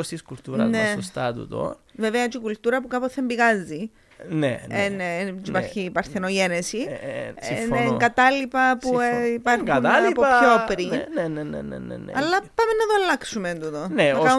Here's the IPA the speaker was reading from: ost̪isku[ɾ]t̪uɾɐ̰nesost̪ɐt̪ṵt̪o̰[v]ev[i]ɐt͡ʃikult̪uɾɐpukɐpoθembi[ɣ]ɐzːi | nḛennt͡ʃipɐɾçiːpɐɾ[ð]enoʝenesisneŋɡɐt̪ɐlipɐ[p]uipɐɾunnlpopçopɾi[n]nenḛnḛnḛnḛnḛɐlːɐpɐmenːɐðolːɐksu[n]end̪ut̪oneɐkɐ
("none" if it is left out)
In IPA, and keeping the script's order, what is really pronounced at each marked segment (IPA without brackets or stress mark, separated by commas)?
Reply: l, v, e, ɣ, θ, p, n, m